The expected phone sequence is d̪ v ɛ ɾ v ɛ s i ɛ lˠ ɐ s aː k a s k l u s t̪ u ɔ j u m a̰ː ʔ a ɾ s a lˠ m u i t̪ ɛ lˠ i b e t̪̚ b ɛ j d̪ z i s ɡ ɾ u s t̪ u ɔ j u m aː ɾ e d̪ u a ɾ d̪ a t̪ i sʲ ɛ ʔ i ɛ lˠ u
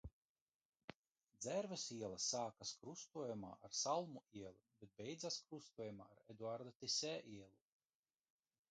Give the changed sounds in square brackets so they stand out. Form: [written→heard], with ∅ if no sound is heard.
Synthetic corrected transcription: d̪ [v→z] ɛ ɾ v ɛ s i ɛ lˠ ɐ s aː k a s k [l→ɾ] u s t̪ u ɔ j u m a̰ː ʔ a ɾ s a lˠ m u i [t̪→∅] ɛ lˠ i b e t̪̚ b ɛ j d̪ z [i→a] s [ɡ→k] ɾ u s t̪ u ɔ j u m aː ɾ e d̪ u a ɾ d̪ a t̪ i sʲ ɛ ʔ i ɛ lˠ u